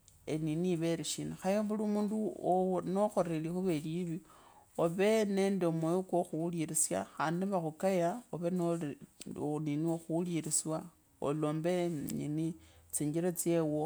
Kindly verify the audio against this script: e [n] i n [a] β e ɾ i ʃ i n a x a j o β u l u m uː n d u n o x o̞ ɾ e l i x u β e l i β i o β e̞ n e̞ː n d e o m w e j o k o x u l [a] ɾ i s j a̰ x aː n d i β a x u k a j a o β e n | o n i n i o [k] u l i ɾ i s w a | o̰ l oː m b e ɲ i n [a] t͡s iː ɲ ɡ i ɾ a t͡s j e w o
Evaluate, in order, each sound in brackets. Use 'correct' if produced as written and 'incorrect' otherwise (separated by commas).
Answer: correct, incorrect, incorrect, incorrect, incorrect